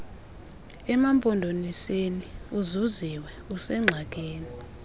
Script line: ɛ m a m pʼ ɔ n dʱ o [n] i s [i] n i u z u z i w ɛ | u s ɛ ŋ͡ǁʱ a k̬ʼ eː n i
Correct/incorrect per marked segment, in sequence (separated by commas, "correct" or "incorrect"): correct, incorrect